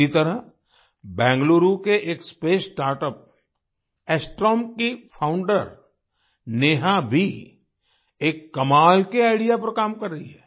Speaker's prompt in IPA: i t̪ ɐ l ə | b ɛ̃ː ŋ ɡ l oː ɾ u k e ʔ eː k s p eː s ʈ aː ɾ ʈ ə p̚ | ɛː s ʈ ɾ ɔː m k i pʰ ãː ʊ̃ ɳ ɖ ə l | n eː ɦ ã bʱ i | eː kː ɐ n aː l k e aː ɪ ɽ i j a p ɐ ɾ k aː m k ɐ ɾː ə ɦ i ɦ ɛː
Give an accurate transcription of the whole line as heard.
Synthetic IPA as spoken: i t̪ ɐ ɾ ə | b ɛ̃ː ŋ ɡ l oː ɾ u k e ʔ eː k s p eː s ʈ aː ɾ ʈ ə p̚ | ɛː s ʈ ɾ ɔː m k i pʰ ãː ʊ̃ ɳ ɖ ə ɾ | n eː ɦ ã bʱ i | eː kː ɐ m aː l k e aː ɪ ɽ i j a p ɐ ɾ k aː m k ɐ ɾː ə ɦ i ɦ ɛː